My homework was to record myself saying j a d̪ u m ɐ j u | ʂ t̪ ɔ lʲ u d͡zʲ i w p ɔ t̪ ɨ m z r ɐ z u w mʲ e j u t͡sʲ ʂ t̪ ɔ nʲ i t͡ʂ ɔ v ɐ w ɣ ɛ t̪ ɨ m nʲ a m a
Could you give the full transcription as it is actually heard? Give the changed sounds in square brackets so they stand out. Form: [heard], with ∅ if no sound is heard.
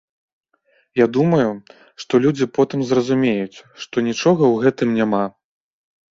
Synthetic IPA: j a d̪ u m ɐ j u | ʂ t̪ ɔ lʲ u d͡zʲ i [∅] p ɔ t̪ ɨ m z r ɐ z u [∅] mʲ e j u t͡sʲ ʂ t̪ ɔ nʲ i t͡ʂ ɔ [ɣ] ɐ w ɣ ɛ t̪ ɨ m nʲ a m a